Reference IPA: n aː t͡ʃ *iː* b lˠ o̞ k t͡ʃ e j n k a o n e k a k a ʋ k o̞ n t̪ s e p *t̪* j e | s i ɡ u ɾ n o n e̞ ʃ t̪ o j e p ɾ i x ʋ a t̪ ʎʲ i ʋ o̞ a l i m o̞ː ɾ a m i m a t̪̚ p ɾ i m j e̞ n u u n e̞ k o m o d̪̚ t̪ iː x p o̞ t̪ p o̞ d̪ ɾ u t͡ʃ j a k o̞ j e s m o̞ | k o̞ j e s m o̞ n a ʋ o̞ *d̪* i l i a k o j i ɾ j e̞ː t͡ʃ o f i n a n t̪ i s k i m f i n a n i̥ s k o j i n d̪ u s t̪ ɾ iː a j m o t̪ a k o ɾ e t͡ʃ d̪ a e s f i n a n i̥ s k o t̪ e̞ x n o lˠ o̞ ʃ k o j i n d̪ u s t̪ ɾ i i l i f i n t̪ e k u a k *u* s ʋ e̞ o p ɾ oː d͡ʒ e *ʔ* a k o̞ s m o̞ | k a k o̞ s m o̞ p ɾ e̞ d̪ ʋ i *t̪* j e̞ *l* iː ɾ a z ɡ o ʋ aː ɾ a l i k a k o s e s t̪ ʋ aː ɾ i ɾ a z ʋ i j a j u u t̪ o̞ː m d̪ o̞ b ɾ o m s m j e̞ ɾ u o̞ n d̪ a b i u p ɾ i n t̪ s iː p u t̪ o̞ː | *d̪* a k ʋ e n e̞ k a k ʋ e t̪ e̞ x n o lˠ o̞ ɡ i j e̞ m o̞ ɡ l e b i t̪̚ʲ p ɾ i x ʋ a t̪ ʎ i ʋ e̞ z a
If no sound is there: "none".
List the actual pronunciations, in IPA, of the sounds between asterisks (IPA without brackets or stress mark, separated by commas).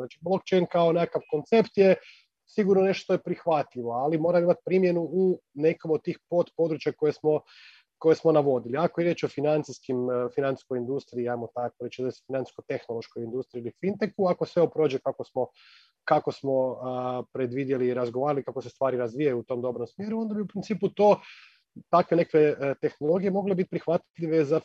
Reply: i, t̪, d̪, o, k, d̪, l, t̪